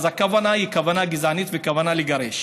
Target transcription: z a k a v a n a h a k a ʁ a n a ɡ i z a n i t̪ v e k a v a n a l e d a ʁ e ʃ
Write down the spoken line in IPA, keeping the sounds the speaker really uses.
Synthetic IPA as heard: z a k a v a n a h i k a v a n a ɡ i z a n i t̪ v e k a v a n a l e ɡ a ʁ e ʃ